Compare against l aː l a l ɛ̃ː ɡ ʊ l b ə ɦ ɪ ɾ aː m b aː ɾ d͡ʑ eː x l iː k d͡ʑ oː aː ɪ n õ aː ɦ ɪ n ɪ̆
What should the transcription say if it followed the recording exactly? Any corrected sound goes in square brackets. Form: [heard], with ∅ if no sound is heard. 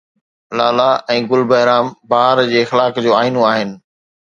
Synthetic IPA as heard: l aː l a [∅] ɛ̃ː ɡ ʊ l b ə ɦ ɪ ɾ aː m b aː ɾ d͡ʑ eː x l [aː] k d͡ʑ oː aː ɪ n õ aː ɦ ɪ n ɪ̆

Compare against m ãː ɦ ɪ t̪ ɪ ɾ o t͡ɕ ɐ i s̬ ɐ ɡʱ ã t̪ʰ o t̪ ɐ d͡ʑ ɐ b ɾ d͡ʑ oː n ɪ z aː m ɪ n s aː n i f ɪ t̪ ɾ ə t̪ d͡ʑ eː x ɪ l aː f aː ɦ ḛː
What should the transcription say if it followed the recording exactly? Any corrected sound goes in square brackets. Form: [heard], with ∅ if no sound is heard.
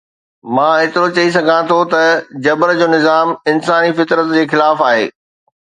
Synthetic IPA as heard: m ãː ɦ ɪ t̪ ɪ ɾ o t͡ɕ ɐ i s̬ ɐ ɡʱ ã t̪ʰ o t̪ ɐ d͡ʑ ɐ b ɾ d͡ʑ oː n ɪ z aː m ɪ n s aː n i f ɪ t̪ ɾ ə t̪ d͡ʑ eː x ɪ l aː f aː ɦ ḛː

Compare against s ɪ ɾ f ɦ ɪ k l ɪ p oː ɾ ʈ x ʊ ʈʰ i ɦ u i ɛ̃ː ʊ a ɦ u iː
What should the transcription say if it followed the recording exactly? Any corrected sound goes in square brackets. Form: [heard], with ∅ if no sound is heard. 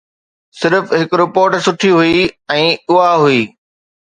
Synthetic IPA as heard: s ɪ ɾ f ɦ ɪ k [ɾ] ɪ p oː ɾ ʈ [s] ʊ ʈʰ i ɦ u i ɛ̃ː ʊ a ɦ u iː

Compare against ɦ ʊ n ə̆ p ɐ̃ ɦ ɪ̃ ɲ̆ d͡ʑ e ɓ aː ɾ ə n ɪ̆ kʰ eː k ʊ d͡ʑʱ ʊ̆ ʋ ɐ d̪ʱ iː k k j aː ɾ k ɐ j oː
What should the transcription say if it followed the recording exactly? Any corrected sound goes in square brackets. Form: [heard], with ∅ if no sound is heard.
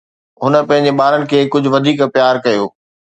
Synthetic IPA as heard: ɦ ʊ n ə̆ p ɐ̃ ɦ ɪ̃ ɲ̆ d͡ʑ e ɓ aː ɾ ə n ɪ̆ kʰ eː k ʊ d͡ʑʱ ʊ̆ ʋ ɐ d̪ʱ iː k [p] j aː ɾ k ɐ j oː

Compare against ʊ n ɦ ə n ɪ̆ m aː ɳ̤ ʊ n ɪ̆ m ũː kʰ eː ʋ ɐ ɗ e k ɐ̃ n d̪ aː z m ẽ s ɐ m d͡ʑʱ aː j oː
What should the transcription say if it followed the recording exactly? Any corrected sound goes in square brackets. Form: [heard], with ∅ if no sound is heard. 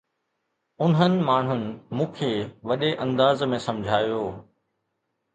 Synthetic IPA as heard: ʊ n ɦ ə n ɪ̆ m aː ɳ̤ ʊ n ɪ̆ m ũː kʰ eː ʋ ɐ ɗ e [ʔ] ɐ̃ n d̪ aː z m ẽ s ɐ m d͡ʑʱ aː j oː

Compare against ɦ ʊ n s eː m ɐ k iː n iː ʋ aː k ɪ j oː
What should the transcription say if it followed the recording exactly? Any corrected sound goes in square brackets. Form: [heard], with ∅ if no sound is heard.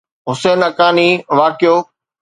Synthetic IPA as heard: ɦ ʊ [∅] s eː [n] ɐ k [aː] n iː ʋ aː k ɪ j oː

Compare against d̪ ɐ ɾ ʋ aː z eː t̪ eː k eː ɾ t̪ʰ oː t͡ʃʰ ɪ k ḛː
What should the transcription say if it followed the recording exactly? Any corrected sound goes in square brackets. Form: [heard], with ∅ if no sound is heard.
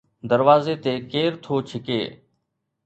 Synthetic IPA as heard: d̪ [ə] ɾ ʋ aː z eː t̪ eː k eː ɾ t̪ʰ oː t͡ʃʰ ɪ k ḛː

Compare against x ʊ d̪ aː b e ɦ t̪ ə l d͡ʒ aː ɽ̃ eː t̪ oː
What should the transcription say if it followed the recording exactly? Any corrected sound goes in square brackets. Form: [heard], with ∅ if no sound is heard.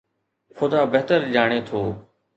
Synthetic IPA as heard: x ʊ d̪ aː b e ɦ t̪ ə [ɾ] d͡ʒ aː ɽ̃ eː [t̪ʰ] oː

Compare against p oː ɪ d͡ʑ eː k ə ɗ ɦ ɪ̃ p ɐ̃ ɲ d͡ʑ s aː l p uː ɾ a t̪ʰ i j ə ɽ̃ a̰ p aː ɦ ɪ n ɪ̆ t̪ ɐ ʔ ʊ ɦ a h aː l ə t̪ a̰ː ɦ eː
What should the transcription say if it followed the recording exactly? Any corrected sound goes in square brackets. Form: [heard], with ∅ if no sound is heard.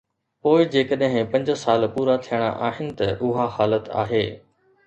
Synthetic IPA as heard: p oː ɪ d͡ʑ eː k ə ɗ ɦ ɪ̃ p ɐ̃ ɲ d͡ʑ s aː l p uː ɾ a t̪ʰ i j ə ɽ̃ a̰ [ʔ] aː ɦ ɪ n ɪ̆ t̪ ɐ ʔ ʊ ɦ a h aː l ə t̪ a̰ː ɦ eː

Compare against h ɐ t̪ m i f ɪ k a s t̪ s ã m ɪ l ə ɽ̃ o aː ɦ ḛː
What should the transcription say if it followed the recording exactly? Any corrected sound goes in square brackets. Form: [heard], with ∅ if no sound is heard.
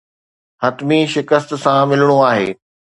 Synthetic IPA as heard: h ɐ t̪ m i [ʃ] ɪ k [ə] s t̪ s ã m ɪ l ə ɽ̃ o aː ɦ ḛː

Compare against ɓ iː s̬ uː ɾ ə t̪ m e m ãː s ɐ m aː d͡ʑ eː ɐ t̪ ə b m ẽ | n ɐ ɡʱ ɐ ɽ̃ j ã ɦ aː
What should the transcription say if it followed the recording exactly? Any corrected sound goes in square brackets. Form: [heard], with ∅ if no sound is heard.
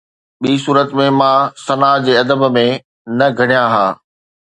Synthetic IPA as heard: ɓ iː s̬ uː ɾ ə t̪ m [ẽ] m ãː s ɐ [n] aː d͡ʑ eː ɐ [d̪] ə b m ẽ | n ɐ ɡʱ ɐ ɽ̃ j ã ɦ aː

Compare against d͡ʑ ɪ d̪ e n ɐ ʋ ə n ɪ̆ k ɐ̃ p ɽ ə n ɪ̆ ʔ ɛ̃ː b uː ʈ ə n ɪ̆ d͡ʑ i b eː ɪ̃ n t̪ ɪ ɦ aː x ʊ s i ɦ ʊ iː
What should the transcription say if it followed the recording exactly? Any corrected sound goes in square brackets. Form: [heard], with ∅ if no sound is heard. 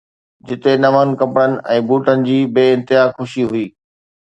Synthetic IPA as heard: d͡ʑ ɪ [t̪] e n ɐ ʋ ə n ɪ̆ k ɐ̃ p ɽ ə n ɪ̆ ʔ ɛ̃ː b uː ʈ ə n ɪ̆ d͡ʑ [iː] b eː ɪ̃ n t̪ ɪ ɦ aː x ʊ [ʃ] i ɦ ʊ iː

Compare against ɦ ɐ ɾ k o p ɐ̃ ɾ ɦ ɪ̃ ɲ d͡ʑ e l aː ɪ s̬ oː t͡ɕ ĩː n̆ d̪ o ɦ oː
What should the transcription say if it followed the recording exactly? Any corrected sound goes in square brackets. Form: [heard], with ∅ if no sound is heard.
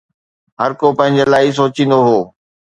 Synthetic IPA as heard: ɦ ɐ ɾ k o p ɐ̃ [∅] ɦ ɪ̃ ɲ d͡ʑ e l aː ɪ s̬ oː t͡ɕ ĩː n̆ d̪ o ɦ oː

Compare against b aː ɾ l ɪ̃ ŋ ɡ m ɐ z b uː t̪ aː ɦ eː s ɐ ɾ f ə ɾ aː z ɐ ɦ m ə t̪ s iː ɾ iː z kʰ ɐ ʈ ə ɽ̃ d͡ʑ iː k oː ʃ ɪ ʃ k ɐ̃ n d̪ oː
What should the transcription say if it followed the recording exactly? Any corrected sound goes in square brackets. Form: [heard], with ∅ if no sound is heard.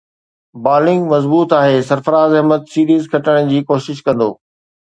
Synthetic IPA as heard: b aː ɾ l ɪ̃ ŋ ɡ m ɐ z b uː t̪ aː ɦ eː s ɐ ɾ f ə ɾ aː z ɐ ɦ m ə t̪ s iː ɾ iː z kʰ ɐ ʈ ə ɽ̃ d͡ʑ iː k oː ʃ ɪ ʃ k ɐ̃ n d̪ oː

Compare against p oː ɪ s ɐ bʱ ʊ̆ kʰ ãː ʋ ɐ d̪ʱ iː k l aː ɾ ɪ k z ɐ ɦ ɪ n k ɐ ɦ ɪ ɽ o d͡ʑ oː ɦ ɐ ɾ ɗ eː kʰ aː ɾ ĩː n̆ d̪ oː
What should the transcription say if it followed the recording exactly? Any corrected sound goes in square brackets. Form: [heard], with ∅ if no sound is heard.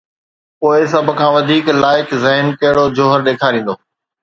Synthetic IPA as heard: p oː ɪ s ɐ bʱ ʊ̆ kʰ ãː ʋ ɐ d̪ʱ iː k l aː [∅] ɪ k z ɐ ɦ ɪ n k ɐ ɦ ɪ ɽ o d͡ʑ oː ɦ [ə] ɾ ɗ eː kʰ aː ɾ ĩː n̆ d̪ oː

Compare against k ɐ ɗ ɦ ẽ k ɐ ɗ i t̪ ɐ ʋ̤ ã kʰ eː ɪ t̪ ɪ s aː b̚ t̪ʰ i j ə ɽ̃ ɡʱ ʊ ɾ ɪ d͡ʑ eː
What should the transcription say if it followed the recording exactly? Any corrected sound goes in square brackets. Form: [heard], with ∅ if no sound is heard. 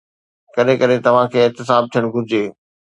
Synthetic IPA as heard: k ɐ ɗ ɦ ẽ k ɐ ɗ [e] t̪ ɐ ʋ̤ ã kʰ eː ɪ t̪ ɪ s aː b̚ t̪ʰ i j ə ɽ̃ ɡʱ ʊ ɾ ɪ d͡ʑ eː

